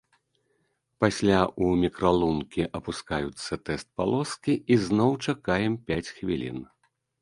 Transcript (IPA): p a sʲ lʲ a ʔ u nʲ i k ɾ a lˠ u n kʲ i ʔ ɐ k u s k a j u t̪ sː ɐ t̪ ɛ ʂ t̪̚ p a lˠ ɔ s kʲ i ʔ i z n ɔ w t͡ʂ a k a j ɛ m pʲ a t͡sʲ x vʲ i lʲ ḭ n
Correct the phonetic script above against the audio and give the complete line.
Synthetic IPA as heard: p a sʲ lʲ a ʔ u mʲ i k ɾ a lˠ u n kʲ i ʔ ɐ p u s k a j u t̪ sː ɐ t̪ ɛ s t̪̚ p a lˠ ɔ s kʲ i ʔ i z n ɔ w t͡ʂ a k a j ɛ m pʲ a t͡sʲ x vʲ i lʲ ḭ n

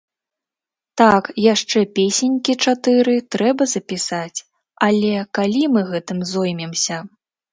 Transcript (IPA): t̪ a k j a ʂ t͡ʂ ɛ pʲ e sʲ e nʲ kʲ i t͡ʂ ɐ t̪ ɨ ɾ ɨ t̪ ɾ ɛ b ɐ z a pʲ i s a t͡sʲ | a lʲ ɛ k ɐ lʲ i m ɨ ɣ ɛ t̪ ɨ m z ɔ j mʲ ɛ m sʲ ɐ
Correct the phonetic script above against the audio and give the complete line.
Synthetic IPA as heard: t̪ a k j a ʂ t͡ʂ ɛ pʲ e sʲ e nʲ kʲ i t͡ʂ a t̪ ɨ ɾ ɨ t̪ ɾ ɛ b ɐ z ɐ pʲ i s a t͡sʲ | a lʲ ɛ k a lʲ i m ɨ ɣ ɛ t̪ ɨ m z ɔ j mʲ ɛ m sʲ ɐ

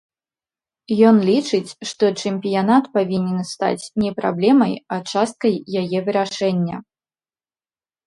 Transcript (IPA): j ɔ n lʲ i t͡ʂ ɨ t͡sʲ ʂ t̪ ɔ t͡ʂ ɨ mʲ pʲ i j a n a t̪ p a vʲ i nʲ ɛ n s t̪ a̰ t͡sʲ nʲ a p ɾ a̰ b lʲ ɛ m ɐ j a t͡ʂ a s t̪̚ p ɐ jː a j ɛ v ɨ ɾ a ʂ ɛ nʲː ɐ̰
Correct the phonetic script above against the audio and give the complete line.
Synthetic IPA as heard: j ɔ n lʲ i t͡ʂ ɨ t͡sʲ ʂ t̪ ɔ t͡ʂ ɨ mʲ pʲ i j a n a t̪ p a vʲ i nʲ ɛ n s t̪ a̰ t͡sʲ nʲ ɛ p ɾ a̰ b lʲ ɛ m ɐ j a t͡ʂ a s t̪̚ k ɐ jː a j ɛ v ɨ ɾ a ʂ ɛ nʲː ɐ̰

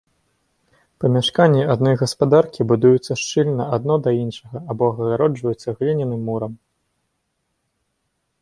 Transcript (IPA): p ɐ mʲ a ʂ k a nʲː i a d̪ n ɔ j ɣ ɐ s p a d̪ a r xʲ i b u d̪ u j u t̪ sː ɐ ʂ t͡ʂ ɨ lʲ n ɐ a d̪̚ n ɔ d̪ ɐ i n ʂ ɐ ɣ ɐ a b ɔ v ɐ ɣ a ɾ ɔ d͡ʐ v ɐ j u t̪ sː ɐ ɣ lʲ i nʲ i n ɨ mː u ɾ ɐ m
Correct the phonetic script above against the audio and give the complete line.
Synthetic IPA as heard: p ɐ mʲ a ʂ k a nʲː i a d̪ n ɔ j ɣ ɐ s p a d̪ a r kʲ i b u d̪ u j u t̪ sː ɐ ʂ t͡ʂ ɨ lʲ n ɐ a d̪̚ n ɔ d̪ ɐ i n ʂ ɐ ɣ ɐ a b ɔ ɣ ɐ ɣ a ɾ ɔ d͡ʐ v ɐ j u t̪ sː ɐ ɣ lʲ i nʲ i n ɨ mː u ɾ ɐ m

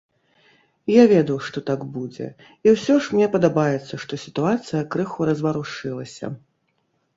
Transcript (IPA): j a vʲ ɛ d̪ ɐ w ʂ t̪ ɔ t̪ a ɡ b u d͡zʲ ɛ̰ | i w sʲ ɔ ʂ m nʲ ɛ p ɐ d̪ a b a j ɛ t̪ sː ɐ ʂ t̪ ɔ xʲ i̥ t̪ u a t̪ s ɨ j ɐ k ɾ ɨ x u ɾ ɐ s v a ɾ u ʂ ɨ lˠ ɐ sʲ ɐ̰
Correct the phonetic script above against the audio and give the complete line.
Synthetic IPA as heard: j a vʲ ɛ d̪ ɐ w ʂ t̪ ɔ t̪ a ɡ b u d͡zʲ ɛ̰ | i w sʲ ɔ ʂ m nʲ ɛ p ɐ d̪ a b a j ɛ t̪ sː ɐ ʂ t̪ ɔ sʲ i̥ t̪ u a t̪ s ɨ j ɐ k ɾ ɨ x u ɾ ɐ z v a ɾ u ʂ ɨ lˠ ɐ sʲ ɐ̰

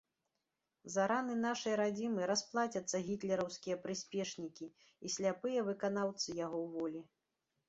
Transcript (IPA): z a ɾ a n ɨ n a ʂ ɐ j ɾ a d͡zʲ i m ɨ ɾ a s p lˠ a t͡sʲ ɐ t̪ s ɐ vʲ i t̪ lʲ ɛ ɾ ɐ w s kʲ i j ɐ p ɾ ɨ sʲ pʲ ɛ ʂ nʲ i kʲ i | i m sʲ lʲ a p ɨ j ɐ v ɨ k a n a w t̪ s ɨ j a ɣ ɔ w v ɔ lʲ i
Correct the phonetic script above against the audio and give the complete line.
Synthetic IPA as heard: z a ɾ a n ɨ n a ʂ ɐ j ɾ a d͡zʲ i m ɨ ɾ a s p lˠ a t͡sʲ ɐ t̪ sː ɐ ɣʲ i t̪ lʲ ɛ ɾ ɐ w s kʲ i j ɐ p ɾ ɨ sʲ pʲ ɛ ʂ nʲ i kʲ i | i sʲ lʲ a p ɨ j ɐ v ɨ k a n a w t̪ s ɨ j a ɣ ɔ w v ɔ lʲ i

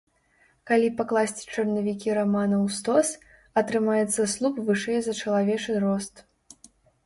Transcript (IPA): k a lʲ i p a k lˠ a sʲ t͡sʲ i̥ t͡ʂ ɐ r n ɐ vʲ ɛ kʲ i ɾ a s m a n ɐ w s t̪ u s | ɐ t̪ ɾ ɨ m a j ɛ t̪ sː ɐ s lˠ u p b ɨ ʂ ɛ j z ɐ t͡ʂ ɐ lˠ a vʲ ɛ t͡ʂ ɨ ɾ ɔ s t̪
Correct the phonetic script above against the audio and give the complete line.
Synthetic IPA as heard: k a lʲ i p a k lˠ a sʲ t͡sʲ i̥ t͡ʂ ɐ r n ɐ vʲ i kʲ i ɾ a m a n ɐ w s t̪ ɔ s | ɐ t̪ ɾ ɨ m a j ɛ t̪ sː ɐ s lˠ u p v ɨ ʂ ɛ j z ɐ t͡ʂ ɐ lˠ a vʲ ɛ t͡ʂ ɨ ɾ ɔ s t̪

